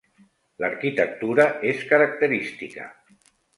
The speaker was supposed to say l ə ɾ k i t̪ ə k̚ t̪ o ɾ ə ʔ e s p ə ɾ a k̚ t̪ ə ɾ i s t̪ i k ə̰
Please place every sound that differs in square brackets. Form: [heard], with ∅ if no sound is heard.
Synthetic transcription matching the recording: l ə ɾ k i t̪ ə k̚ t̪ [u] ɾ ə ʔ e s [k] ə ɾ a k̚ t̪ ə ɾ i s t̪ i k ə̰